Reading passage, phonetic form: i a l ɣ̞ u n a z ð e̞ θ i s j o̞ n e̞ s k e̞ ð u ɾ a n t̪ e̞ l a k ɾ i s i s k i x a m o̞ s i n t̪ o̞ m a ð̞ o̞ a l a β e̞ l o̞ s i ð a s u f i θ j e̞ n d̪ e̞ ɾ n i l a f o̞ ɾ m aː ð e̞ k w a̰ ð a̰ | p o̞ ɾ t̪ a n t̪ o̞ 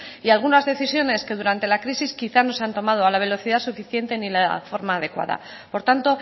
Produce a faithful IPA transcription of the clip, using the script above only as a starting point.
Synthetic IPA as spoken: i a l ɣ̞ u n a z ð e̞ θ i s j o̞ n e̞ s k e̞ ð u ɾ a n t̪ e̞ l a k ɾ i s i s k i θ a n o̞ s a n t̪ o̞ m a ð̞ o̞ a l a β e̞ l o̞ θ i ð a s u f i θ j e̞ n t̪ e̞ n i l a f o̞ ɾ m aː ð e̞ k w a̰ ð a̰ | p o̞ ɾ t̪ a n t̪ o̞

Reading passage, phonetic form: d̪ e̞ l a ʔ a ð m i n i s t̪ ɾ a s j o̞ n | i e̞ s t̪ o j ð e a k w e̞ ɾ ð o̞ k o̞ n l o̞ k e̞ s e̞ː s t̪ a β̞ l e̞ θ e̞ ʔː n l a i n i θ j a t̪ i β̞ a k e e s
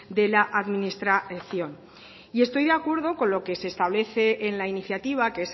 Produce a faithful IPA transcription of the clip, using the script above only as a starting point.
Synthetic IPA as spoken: d̪ e̞ l a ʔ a ð m i n i s t̪ ɾ a θ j o̞ n | i e̞ s t̪ o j ð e a k w e̞ ɾ ð o̞ k o̞ n l o̞ k e̞ s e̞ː s t̪ a β̞ l e̞ θ e̞ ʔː n l a i n i θ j a t̪ i β̞ a k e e s

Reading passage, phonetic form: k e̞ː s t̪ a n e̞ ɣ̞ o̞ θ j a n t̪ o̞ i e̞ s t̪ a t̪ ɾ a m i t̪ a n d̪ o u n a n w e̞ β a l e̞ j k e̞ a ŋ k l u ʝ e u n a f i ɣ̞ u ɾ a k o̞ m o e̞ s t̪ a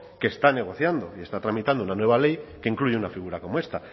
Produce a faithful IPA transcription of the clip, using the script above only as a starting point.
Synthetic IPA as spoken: k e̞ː s t̪ a n e̞ ɣ̞ o̞ θ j a n d̪ o̞ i e̞ s t̪ a t̪ ɾ a m i t̪ a n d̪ o u n a n w e̞ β a l e̞ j k e̞ i ŋ k l u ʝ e u n a f i ɣ̞ u ɾ a k o̞ m o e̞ s t̪ a

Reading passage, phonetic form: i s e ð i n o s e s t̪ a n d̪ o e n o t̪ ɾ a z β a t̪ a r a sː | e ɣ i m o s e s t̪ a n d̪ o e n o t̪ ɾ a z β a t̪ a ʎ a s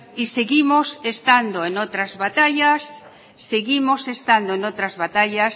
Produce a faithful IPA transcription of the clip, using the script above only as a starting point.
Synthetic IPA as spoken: i s e ɣ i m o s e s t̪ a n d̪ o e n o t̪ ɾ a z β a t̪ a ʎ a sː | e ɣ i m o s e s t̪ a n d̪ o e n o t̪ ɾ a z β a t̪ a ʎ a s

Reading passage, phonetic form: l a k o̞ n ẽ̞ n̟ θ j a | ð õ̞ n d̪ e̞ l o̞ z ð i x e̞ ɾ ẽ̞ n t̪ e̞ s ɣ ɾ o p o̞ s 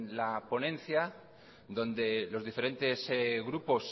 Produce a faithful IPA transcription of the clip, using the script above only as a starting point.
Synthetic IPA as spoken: l a p o̞ n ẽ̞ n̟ θ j a | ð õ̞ n d̪ e̞ l o̞ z ð i f e̞ ɾ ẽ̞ n t̪ e̞ s ɣ ɾ u p o̞ s

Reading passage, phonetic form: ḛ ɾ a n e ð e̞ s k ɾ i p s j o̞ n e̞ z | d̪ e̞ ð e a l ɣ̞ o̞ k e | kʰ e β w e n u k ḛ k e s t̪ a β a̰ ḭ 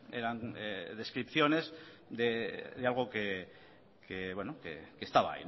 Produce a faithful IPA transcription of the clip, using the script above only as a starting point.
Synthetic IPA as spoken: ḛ ɾ a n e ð e̞ s k ɾ i p θ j o̞ n e̞ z | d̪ e̞ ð e a l ɣ̞ o̞ k e | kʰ e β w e n o k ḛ k e s t̪ a β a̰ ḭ

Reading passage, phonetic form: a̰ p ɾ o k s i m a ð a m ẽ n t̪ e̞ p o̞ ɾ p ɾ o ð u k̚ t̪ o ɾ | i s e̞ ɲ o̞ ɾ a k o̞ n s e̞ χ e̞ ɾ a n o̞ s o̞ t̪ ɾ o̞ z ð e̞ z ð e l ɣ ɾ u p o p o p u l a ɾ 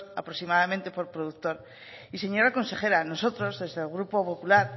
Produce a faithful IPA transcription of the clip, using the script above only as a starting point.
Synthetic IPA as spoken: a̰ p ɾ o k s i m a ð a m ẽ n t̪ e̞ p o̞ ɾ p ɾ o ð u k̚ t̪ o ɾ | i s e̞ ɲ o̞ ɾ a k o̞ n s e̞ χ e̞ ɾ a n o̞ s o̞ t̪ ɾ o̞ z ð e̞ z ð e l ɣ ɾ u p o p o p u l a ɾ

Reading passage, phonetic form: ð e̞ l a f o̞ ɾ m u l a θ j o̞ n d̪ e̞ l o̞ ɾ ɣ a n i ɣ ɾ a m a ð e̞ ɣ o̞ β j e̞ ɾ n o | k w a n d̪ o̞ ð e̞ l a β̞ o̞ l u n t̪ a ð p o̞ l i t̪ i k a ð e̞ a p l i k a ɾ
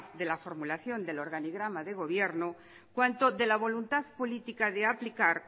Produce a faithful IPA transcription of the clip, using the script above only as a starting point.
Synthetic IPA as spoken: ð e̞ l a f o̞ ɾ m u l a θ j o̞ n d̪ e̞ l o̞ ɾ ɣ a n i ɣ ɾ a m a ð e̞ ɣ o̞ β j e̞ ɾ n o | k w a n t̪ o̞ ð e̞ l a β̞ o̞ l u n t̪ a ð p o̞ l i t̪ i k a ð e̞ a p l i k a ɾ

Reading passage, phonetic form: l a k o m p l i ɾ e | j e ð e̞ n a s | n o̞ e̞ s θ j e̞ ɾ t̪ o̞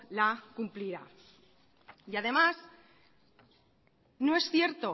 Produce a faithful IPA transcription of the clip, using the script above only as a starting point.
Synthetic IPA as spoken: l a k u m p l i ɾ a | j a ð e̞ m a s | n o̞ e̞ s θ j e̞ ɾ t̪ o̞

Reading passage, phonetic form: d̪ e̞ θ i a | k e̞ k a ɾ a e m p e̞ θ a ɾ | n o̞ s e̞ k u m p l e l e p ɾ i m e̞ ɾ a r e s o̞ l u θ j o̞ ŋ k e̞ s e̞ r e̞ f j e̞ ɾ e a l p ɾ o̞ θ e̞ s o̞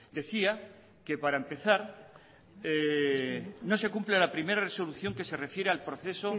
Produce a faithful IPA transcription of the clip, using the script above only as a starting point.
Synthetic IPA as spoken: d̪ e̞ θ i a | k e̞ p a ɾ a e m p e̞ θ a ɾ | n o̞ s e̞ k u m p l e l a p ɾ i m e̞ ɾ a r e s o̞ l u θ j o̞ ŋ k e̞ s e̞ r e̞ f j e̞ ɾ e a l p ɾ o̞ θ e̞ s o̞

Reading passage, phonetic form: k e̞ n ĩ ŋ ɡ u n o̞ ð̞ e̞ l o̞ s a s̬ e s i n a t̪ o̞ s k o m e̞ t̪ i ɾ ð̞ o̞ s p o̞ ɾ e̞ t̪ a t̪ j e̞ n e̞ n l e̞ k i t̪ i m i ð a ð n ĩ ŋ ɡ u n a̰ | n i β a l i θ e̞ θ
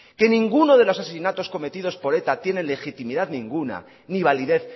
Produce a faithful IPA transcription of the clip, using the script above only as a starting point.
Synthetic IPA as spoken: k e̞ n ĩ ŋ ɡ u n o̞ ð̞ e̞ l o̞ s a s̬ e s i n a t̪ o̞ s k o m e̞ t̪ i ð̞ o̞ s p o̞ ɾ e̞ t̪ a t̪ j e̞ n e̞ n l e̞ x i t̪ i m i ð a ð n ĩ ŋ ɡ u n a̰ | n i β a l i ð e̞ θ

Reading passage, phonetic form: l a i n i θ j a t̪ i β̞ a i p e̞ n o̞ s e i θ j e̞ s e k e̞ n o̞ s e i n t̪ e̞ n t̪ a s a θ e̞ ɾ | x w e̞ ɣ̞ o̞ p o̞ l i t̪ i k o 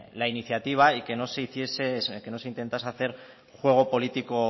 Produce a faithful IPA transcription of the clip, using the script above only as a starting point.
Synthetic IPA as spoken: l a i n i θ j a t̪ i β̞ a i k e̞ n o̞ s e i θ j e̞ s e k e̞ n o̞ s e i n t̪ e̞ n t̪ a s a θ e̞ ɾ | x w e̞ ɣ̞ o̞ p o̞ l i t̪ i k o

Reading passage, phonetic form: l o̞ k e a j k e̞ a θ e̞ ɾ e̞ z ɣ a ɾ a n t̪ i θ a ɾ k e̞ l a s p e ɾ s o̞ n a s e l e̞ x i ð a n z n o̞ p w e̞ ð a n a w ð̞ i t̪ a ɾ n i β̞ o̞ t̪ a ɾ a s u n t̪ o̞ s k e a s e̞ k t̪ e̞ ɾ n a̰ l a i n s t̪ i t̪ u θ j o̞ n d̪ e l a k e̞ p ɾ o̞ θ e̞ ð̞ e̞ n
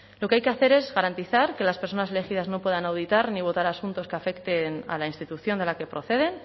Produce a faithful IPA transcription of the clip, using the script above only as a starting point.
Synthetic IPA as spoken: l o̞ k e a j k e̞ a θ e̞ ɾ e̞ z ɣ a ɾ a n t̪ i θ a ɾ k e̞ l a s p e ɾ s o̞ n a s e l e̞ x i ð a z n o̞ p w e̞ ð a n a w ð̞ i t̪ a ɾ n i β̞ o̞ t̪ a ɾ a s u n t̪ o̞ s k e a f e̞ k t̪ e̞ n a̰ l a i n s t̪ i t̪ u θ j o̞ n d̪ e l a k e̞ p ɾ o̞ θ e̞ ð̞ e̞ n

